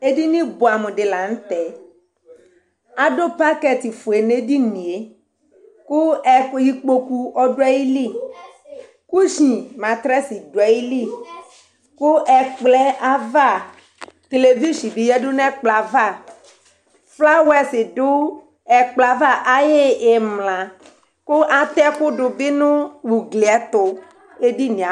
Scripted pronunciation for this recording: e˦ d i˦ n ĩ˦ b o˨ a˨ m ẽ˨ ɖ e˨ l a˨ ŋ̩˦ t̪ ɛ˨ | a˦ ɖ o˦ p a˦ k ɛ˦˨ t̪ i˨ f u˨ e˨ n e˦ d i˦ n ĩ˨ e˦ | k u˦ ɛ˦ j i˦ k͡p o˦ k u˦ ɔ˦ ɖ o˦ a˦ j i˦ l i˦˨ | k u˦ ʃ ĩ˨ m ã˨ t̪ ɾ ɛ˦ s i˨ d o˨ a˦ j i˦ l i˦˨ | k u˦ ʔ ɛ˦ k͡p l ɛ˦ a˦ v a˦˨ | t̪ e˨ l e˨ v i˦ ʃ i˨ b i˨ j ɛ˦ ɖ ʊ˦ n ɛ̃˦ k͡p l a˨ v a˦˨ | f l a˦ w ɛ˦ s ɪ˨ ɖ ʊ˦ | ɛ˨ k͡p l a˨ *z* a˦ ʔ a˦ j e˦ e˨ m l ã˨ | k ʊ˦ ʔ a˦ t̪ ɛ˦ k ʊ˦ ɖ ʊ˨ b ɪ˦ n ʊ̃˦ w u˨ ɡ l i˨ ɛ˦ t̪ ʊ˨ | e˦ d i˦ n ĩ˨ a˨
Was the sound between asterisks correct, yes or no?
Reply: no